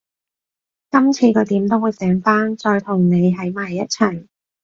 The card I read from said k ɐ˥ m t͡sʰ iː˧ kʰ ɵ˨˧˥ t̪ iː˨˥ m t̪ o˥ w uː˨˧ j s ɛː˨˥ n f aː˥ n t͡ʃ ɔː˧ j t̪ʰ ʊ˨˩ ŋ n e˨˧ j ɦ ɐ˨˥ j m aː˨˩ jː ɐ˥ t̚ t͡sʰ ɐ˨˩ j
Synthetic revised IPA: k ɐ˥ m t͡sʰ iː˧ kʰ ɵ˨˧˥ t̪ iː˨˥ m t̪ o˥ w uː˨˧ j s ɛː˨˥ ŋ f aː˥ n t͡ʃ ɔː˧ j t̪ʰ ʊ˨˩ ŋ n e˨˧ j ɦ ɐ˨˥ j m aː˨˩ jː ɐ˥ t̚ t͡sʰ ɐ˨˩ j